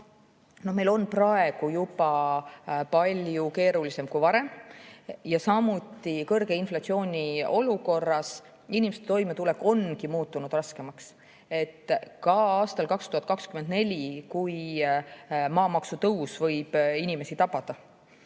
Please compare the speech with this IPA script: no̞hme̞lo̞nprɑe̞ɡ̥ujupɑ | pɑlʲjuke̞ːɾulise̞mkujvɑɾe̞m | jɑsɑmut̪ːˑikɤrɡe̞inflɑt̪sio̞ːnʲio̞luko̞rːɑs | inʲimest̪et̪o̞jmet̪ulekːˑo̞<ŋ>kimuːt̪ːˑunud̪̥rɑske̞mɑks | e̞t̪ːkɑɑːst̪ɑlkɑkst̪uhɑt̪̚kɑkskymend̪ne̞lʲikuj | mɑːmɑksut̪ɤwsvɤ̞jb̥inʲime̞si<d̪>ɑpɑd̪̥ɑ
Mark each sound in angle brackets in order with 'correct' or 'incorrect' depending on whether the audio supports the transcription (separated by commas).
incorrect, incorrect